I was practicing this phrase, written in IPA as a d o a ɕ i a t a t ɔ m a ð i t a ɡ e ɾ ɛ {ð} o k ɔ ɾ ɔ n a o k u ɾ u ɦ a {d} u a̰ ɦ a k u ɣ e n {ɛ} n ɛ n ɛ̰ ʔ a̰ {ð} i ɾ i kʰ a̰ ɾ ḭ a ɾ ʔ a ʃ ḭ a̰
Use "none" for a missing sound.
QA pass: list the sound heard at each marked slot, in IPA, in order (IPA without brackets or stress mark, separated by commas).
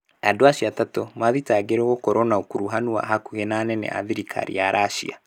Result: ɣ, n, a, ð